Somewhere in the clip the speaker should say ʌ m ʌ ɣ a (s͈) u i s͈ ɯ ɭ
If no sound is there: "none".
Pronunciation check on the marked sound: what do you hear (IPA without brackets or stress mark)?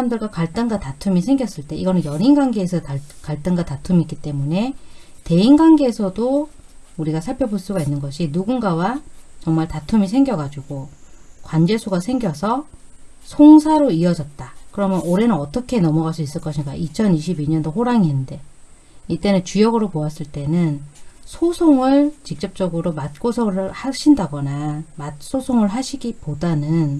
s͈